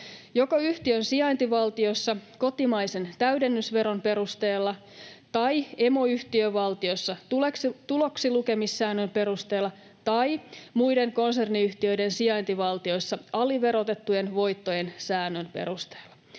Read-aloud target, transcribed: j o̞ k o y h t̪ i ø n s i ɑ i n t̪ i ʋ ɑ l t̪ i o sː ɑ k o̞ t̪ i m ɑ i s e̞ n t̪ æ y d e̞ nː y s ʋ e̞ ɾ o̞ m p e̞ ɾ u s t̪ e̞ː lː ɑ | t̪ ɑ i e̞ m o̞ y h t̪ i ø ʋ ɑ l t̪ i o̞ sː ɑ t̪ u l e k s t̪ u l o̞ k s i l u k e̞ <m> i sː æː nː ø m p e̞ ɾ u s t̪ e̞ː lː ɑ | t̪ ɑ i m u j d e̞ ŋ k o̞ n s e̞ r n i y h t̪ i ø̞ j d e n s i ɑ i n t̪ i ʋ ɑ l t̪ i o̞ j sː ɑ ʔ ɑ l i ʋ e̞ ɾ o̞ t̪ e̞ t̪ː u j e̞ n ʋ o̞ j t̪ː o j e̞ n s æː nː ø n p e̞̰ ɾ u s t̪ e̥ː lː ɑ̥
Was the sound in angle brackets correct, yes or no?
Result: yes